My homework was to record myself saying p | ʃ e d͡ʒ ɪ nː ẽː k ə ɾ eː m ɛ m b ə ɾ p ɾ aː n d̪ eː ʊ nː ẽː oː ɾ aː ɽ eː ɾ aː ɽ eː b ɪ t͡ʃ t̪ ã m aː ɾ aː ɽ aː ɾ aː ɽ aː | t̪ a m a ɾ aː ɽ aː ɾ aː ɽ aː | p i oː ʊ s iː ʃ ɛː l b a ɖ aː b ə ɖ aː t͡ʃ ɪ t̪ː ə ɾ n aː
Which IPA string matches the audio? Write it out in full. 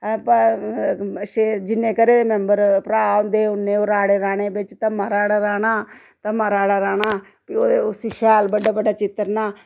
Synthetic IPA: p | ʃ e d͡ʒ ɪ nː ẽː k ə ɾ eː m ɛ m b ə ɾ p ɾ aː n d̪ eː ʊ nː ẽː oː ɾ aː ɽ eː ɾ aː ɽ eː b ɪ t͡ʃ t̪ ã m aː ɾ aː ɽ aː ɾ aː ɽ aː | t̪ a m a ɾ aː ɽ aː ɾ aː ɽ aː | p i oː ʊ s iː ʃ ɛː l b ə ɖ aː b ə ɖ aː t͡ʃ ɪ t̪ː ə ɾ n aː